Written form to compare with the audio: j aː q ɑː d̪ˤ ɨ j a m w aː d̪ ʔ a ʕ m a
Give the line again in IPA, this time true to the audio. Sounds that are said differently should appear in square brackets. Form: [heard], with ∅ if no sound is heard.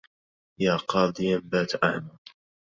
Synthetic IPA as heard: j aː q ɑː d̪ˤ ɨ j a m [b] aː [t̪] ʔ a ʕ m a